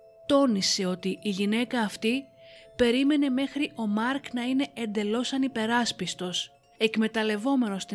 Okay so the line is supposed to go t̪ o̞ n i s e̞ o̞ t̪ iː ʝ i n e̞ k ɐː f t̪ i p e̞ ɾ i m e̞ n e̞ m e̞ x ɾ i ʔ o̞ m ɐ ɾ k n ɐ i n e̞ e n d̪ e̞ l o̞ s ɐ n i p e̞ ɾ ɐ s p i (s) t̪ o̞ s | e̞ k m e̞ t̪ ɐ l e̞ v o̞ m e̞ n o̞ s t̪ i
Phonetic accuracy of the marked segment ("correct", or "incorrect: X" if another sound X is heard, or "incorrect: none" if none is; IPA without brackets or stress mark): correct